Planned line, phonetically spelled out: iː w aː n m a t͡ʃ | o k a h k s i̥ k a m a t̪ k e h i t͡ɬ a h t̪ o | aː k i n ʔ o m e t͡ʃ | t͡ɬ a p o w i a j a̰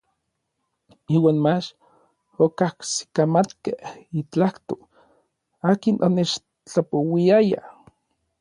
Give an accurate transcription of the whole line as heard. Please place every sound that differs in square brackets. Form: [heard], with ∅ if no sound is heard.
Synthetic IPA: iː w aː n m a t͡ʃ | o k a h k s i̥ k a m a t̪ k e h i t͡ɬ a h t̪ o | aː k i n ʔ o [n] e t͡ʃ | t͡ɬ a p o w i a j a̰